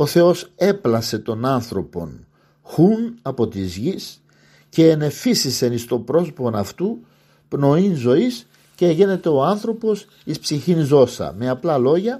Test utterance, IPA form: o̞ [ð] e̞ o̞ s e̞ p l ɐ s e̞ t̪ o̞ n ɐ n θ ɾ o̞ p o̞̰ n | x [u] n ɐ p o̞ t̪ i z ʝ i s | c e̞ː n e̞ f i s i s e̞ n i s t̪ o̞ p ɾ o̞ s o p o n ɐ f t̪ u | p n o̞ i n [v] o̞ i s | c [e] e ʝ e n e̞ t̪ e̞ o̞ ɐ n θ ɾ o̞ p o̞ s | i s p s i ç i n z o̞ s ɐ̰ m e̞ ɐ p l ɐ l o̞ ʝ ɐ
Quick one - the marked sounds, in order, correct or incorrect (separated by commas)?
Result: incorrect, correct, incorrect, correct